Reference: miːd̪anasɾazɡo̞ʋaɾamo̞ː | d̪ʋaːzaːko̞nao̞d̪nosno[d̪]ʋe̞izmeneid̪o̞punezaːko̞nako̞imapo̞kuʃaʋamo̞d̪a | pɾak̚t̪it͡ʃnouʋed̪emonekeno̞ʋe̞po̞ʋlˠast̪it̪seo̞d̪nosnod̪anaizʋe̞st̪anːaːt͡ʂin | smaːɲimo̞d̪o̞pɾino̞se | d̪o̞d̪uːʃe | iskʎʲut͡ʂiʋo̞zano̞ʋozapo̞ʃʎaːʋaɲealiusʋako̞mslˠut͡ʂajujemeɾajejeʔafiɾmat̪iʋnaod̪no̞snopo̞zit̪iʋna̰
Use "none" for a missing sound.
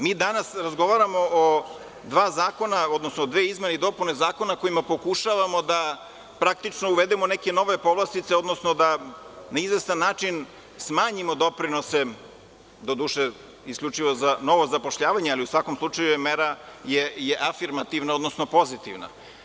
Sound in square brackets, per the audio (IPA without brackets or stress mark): d̪